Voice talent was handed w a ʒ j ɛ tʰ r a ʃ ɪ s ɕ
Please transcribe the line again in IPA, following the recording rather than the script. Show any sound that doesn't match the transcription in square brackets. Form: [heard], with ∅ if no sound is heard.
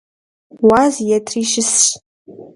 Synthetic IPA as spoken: w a [z] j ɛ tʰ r [i] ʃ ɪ s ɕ